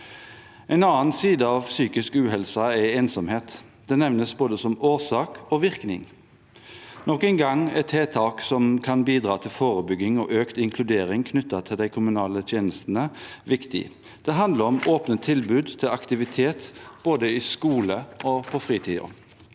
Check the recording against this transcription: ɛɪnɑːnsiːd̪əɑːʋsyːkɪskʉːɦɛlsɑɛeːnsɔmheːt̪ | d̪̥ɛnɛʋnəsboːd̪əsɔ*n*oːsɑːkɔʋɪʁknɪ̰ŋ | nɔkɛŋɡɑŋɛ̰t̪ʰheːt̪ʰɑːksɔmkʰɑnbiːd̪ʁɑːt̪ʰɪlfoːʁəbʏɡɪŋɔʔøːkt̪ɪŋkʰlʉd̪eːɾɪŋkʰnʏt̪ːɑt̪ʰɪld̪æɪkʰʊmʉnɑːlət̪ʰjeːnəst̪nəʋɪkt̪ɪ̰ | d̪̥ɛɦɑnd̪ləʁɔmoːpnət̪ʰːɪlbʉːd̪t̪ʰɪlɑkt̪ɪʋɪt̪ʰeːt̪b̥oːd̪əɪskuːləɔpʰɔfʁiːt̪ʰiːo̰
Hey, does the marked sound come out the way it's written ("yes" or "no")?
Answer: no